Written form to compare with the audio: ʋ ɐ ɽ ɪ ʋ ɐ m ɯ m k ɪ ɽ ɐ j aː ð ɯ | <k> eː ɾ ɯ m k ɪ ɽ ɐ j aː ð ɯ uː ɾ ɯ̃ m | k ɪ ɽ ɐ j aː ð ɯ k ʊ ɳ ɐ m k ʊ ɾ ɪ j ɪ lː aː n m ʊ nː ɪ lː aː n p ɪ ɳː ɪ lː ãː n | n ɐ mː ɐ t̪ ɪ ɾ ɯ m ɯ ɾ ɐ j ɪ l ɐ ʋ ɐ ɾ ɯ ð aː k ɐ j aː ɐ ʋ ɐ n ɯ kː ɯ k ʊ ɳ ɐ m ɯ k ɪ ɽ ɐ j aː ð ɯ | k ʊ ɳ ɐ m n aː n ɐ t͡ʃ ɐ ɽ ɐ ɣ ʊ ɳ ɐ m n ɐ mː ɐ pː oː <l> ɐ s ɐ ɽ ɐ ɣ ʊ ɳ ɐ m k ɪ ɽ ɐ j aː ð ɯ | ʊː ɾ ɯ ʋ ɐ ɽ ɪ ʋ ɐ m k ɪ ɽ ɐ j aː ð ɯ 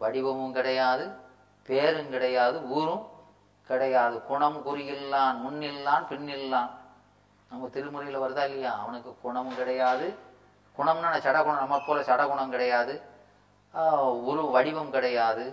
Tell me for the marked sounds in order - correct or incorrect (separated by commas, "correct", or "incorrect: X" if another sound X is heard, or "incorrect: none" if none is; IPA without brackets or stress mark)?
incorrect: p, correct